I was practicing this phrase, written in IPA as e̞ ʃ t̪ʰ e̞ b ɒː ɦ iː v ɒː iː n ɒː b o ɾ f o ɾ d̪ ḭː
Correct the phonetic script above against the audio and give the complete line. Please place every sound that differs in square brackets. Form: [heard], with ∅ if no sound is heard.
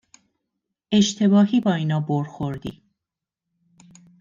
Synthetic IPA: e̞ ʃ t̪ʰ e̞ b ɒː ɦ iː [b] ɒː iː n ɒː b o ɾ [x] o ɾ d̪ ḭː